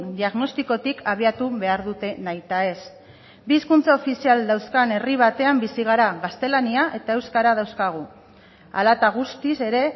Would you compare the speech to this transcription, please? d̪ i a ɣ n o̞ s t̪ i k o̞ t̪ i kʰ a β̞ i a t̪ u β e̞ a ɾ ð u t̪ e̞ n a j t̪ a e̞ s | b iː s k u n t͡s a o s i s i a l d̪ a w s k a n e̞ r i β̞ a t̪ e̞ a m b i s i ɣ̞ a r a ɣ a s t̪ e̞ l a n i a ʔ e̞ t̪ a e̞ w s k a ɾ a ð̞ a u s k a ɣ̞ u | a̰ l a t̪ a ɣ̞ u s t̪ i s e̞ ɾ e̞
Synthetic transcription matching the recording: d̪ i a ɣ n o̞ s t̪ i k o̞ t̪ i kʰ a β̞ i a t̪ u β e̞ a ɾ ð u t̪ e̞ n a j t̪ a e̞ s | b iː s k u n t͡s a o f i s i a l d̪ a w s k a n e̞ r i β̞ a t̪ e̞ a m b i s i ɣ̞ a ɾ a ɣ a s t̪ e̞ l a n i a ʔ e̞ t̪ a e̞ w s k a ɾ a ð̞ a w s k a ɣ̞ u | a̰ l a t̪ a ɣ̞ u s t̪ i s e̞ ɾ e̞